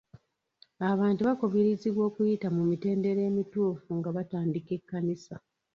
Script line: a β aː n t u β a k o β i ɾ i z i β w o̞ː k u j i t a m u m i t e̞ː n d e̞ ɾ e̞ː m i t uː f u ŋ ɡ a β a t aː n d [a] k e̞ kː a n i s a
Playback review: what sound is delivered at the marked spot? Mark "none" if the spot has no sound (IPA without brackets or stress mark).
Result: i